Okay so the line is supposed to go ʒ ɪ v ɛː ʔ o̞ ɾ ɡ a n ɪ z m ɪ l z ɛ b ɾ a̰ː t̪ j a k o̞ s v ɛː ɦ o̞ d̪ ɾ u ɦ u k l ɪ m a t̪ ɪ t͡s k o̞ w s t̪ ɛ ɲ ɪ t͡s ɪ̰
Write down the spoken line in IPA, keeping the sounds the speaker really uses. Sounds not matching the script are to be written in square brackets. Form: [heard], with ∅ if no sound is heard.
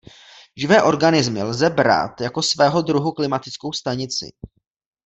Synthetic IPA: ʒ ɪ v ɛː ʔ o̞ ɾ ɡ a n ɪ z m ɪ l z ɛ b ɾ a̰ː t̪ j a k o̞ s v ɛː ɦ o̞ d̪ ɾ u ɦ u k l ɪ m a t̪ ɪ t͡s k o̞ w s t̪ [a] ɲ ɪ t͡s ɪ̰